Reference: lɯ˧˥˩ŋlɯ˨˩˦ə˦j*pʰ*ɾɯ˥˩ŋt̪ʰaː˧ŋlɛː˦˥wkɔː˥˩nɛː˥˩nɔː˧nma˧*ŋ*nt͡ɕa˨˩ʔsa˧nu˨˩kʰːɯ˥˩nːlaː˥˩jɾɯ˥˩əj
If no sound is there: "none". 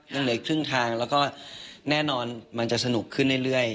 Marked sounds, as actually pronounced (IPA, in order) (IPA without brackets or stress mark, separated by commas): kʰ, none